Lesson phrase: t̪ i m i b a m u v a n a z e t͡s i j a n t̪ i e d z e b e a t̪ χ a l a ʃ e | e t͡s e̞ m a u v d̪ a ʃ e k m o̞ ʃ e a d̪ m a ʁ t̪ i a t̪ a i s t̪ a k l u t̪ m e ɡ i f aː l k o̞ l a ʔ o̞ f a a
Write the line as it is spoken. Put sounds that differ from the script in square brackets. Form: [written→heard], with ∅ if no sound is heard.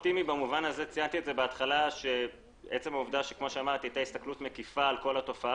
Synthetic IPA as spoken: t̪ i m i b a m u v a n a z e t͡s i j a n t̪ i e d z e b e a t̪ χ a l a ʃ e | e t͡s e̞ m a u v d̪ a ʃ e k m o̞ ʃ e a [d̪→∅] m a ʁ t̪ i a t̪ a i s t̪ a k l u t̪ m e [ɡ→k] i f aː l k o̞ l a [ʔ→t] o̞ f a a